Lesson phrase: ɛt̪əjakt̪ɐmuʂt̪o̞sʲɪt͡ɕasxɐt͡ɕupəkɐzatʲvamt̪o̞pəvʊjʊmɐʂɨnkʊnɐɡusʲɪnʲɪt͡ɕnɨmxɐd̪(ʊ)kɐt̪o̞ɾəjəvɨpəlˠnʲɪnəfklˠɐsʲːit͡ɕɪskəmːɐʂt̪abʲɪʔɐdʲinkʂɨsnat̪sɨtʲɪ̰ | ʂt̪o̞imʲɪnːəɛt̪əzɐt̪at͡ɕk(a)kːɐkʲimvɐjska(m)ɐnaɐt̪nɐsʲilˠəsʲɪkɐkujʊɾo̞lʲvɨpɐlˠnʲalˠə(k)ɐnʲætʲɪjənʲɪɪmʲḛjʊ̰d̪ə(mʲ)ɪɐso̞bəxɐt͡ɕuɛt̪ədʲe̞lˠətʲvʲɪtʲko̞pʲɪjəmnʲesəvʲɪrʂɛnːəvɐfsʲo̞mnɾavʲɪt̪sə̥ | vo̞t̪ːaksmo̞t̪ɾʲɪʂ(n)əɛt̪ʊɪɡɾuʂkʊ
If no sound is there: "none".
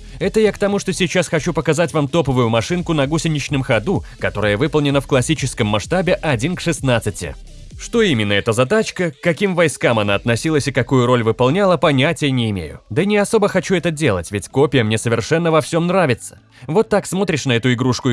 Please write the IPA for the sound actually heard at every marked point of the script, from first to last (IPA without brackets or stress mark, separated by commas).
u, ə, m, p, nʲ, n